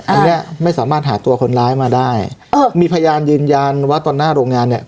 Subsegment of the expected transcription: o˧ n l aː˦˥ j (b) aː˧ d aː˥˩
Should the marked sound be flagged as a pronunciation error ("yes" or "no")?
yes